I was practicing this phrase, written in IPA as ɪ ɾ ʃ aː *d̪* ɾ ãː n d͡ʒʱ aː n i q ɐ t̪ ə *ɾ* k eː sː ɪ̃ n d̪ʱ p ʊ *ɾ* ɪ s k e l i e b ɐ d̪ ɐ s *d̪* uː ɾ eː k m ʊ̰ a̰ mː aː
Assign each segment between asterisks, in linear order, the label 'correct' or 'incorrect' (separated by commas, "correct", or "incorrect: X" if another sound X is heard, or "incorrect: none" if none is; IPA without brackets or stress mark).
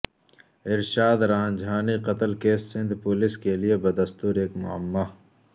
correct, incorrect: l, incorrect: l, incorrect: t̪